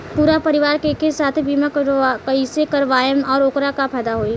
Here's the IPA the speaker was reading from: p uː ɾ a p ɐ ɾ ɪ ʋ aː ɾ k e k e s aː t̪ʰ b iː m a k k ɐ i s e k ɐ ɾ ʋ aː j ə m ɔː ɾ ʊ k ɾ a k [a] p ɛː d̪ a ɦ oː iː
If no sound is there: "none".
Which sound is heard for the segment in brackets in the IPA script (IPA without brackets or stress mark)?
a